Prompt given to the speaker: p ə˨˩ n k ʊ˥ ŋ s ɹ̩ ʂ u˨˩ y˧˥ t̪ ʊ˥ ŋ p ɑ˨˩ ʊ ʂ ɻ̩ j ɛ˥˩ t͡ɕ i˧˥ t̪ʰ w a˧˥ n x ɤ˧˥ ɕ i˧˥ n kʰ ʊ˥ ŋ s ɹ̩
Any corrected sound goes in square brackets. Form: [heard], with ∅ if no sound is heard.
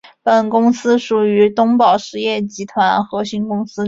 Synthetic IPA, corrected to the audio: p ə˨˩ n k ʊ˥ ŋ s ɹ̩ ʂ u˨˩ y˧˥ t̪ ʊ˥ ŋ p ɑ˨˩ ʊ ʂ ɻ̩ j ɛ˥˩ t͡ɕ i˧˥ t̪ʰ w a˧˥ n x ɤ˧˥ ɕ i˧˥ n [k] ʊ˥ ŋ s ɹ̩